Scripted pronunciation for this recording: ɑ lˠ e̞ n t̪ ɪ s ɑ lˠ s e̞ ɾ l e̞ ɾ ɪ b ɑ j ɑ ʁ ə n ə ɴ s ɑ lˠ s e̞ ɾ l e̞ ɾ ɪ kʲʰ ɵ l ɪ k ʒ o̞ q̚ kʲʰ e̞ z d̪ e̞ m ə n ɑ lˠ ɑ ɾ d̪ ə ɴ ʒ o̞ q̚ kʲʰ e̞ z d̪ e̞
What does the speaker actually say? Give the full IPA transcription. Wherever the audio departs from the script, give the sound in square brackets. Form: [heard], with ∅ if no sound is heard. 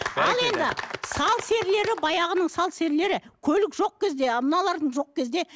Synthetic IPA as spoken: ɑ lˠ e̞ n [d̪] ɪ s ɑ lˠ s e̞ ɾ l e̞ ɾ ɪ b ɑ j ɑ ʁ ə n ə ɴ s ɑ lˠ s e̞ ɾ l e̞ ɾ ɪ kʲʰ ɵ l ɪ k ʒ o̞ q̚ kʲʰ e̞ z d̪ e̞ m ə n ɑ lˠ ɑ ɾ d̪ ə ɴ ʒ o̞ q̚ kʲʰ e̞ z d̪ e̞

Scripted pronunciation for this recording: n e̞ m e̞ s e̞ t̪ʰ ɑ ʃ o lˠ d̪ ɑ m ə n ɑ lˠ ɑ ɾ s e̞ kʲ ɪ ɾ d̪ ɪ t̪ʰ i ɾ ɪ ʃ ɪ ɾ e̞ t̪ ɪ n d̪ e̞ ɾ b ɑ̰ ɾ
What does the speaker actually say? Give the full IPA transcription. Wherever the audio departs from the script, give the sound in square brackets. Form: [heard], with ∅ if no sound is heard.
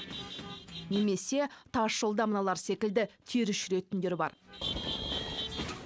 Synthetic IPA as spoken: n e̞ m e̞ s e̞ t̪ʰ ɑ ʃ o lˠ d̪ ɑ m ə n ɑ lˠ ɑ ɾ s e̞ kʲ ɪ [l] d̪ ɪ t̪ʰ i ɾ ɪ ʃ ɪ ɾ e̞ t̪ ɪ n d̪ e̞ ɾ b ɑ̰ ɾ

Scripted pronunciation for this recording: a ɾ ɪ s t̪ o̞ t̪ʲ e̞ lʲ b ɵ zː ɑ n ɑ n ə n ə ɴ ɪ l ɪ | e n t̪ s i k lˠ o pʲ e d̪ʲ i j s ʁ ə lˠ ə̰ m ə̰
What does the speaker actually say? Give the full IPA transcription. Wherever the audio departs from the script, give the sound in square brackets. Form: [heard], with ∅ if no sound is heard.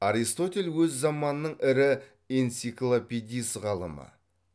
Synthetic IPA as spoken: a ɾ [i] s t̪ o̞ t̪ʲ e̞ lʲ [w] ɵ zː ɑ [m] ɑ n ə n ə ɴ ɪ [ɾ] ɪ | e n t̪ s i k lˠ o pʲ e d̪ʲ i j s ʁ [ɑ] lˠ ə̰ m ə̰

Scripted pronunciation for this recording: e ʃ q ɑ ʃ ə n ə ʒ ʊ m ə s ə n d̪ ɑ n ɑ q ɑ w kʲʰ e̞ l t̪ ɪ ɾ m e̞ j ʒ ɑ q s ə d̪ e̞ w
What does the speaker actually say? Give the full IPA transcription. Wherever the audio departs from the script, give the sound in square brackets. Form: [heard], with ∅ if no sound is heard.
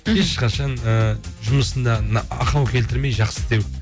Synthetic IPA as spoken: e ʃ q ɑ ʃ [ɑ] n ə ʒ ʊ m ə s ə n d̪ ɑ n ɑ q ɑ w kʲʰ e̞ l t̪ ɪ ɾ m e̞ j ʒ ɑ q s ə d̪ e̞ w

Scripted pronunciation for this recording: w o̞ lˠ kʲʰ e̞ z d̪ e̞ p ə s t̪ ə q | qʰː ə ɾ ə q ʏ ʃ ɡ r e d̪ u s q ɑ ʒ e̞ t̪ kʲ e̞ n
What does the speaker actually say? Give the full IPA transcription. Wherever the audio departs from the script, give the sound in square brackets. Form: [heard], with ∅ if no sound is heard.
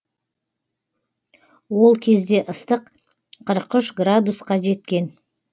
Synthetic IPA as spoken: w o̞ lˠ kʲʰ e̞ z d̪ e̞ [ʔ] ə s t̪ ə q | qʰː ə ɾ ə q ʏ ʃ ɡ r [a] d̪ u s q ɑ ʒ e̞ t̪ kʲ e̞ n

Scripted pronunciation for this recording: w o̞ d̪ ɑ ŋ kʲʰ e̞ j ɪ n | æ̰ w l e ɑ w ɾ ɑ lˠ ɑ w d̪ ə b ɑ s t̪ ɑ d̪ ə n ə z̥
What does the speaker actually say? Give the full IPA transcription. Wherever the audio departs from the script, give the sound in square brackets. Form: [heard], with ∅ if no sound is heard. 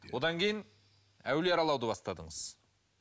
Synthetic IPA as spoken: w o̞ d̪ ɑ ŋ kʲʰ e̞ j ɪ n | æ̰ w l e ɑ [∅] ɾ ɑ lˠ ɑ w d̪ ə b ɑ s t̪ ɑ d̪ ə [ɴ] ə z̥

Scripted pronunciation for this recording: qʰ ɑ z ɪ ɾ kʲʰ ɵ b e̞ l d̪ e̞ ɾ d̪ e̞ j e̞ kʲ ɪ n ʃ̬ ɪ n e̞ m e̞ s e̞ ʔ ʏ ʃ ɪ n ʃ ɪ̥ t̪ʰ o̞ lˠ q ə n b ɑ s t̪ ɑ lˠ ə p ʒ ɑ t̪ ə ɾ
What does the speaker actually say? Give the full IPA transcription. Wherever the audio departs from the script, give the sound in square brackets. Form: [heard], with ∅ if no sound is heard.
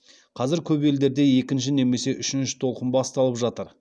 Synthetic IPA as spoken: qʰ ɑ z ɪ ɾ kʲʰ ɵ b e̞ l d̪ e̞ ɾ d̪ e̞ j e̞ kʲ ɪ n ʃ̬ ɪ n e̞ m e̞ s e̞ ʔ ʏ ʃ ɪ n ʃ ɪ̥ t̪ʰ o̞ lˠ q ə n b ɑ s t̪ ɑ lˠ ə p ʒ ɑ t̪ ə ɾ

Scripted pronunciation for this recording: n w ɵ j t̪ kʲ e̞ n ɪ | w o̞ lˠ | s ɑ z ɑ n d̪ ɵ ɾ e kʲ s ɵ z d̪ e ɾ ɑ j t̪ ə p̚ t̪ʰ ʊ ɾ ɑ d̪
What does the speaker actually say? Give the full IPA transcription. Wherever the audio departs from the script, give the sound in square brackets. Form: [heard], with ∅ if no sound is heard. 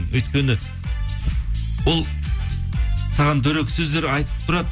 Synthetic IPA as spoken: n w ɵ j t̪ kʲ e̞ n ɪ | w o̞ lˠ | s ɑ [ʁ] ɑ n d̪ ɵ ɾ e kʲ s ɵ z d̪ e ɾ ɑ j t̪ ə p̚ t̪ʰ ʊ ɾ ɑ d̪

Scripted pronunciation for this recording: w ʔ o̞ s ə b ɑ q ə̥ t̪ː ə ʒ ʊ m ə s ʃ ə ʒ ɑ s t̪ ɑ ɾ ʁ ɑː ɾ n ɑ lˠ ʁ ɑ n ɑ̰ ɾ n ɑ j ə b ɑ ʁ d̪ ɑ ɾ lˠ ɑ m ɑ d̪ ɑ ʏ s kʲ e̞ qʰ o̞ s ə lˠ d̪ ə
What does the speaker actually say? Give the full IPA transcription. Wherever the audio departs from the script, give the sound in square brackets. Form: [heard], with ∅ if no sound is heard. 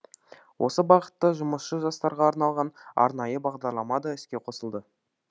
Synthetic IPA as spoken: w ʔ o̞ s ə b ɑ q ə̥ t̪ː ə ʒ ʊ m ə s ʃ ə ʒ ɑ s t̪ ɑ ɾ ʁ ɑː ɾ n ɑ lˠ ʁ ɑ n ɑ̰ ɾ n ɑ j ə b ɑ ʁ d̪ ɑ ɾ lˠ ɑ m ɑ d̪ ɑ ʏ s kʲ e̞ qʰ o̞ s ə lˠ d̪ ə

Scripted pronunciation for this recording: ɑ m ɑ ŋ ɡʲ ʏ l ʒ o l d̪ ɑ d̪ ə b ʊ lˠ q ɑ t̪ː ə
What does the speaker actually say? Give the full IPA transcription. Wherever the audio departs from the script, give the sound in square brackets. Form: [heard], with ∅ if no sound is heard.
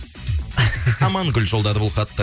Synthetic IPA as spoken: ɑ m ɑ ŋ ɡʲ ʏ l ʒ o l d̪ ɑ d̪ ə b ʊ lˠ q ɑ t̪ː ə

